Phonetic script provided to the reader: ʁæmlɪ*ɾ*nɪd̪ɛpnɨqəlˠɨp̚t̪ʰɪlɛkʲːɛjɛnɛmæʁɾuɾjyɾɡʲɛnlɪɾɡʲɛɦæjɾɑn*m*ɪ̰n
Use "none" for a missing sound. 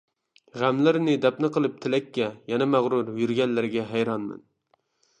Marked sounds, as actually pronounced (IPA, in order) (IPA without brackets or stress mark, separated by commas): ɾ, m